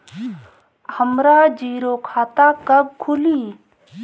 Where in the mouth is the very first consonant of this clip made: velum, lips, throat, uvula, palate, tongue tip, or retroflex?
throat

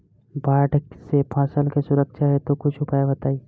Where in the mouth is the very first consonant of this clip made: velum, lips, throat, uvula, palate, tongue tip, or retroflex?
lips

